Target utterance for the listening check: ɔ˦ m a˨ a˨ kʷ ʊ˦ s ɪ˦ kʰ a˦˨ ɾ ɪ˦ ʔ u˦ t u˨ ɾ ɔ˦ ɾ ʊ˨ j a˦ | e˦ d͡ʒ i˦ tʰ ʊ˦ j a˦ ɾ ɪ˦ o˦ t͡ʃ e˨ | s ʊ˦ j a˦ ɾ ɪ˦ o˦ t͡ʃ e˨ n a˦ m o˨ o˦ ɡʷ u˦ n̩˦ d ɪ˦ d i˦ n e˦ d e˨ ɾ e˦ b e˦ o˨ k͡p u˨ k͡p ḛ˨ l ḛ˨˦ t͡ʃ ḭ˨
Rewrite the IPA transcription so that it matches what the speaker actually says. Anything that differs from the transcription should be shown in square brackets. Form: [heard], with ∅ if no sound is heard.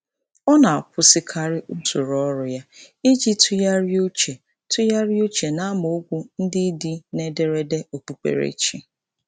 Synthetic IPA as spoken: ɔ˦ [n] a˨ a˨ kʷ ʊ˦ s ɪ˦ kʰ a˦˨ ɾ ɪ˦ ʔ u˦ t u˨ ɾ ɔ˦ ɾ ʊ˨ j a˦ | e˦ d͡ʒ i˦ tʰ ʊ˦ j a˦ ɾ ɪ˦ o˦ t͡ʃ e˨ | [t] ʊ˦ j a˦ ɾ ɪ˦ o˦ t͡ʃ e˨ n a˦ m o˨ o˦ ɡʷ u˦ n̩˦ d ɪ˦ d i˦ n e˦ d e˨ ɾ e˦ [d] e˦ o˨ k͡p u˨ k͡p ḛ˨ [ɾ] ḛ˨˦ t͡ʃ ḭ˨